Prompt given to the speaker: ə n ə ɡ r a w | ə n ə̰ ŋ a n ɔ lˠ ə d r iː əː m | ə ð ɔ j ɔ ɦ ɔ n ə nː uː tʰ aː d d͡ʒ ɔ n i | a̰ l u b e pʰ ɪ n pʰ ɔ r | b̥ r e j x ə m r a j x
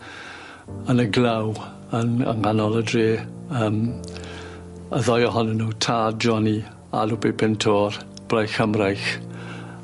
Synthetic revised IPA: ə n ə ɡ l a w | ə n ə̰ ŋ a n ɔ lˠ ə d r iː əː m | ə ð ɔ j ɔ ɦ ɔ n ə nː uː tʰ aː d d͡ʒ ɔ n i | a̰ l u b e pʰ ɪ n tʰ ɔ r | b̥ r a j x ə m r a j x